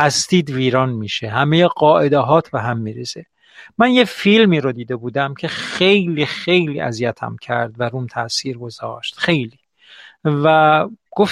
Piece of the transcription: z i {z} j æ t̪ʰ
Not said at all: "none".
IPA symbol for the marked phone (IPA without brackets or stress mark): none